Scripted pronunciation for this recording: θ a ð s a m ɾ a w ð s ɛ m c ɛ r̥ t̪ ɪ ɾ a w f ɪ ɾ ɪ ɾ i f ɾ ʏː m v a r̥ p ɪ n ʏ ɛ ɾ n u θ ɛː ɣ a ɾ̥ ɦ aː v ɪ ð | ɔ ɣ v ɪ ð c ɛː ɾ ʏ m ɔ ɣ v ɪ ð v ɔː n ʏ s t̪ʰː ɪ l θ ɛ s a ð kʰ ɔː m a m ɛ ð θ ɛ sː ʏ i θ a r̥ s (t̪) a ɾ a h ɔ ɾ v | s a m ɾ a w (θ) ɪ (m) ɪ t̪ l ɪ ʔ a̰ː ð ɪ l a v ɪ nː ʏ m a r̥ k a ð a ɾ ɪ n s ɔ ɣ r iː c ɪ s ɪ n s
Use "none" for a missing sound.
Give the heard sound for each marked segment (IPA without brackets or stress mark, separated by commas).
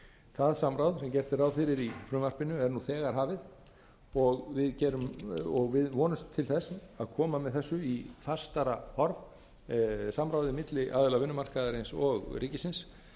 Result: t̪, ð, m